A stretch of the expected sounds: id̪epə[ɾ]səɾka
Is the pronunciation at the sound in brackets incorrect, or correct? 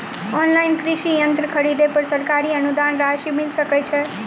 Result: correct